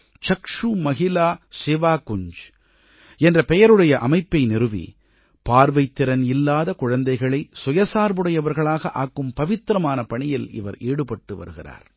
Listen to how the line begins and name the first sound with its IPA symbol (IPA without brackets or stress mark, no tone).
t͡ʃ